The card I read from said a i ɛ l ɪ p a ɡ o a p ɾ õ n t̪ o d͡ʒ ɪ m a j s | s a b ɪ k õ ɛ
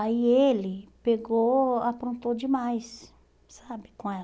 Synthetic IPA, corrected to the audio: a i e l ɪ p e ɡ o a p ɾ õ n t̪ o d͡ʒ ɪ m a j s | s a b ɪ k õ ɛ